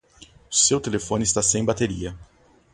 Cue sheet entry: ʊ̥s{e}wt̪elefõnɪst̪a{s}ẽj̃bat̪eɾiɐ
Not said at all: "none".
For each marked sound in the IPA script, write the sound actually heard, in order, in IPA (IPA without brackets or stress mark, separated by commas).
e, s